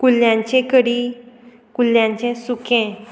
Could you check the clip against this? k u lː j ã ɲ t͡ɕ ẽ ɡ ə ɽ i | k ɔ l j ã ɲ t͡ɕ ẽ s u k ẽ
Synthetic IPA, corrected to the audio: k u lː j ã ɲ t͡ɕ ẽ k ə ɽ i | k u l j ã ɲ t͡ɕ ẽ s u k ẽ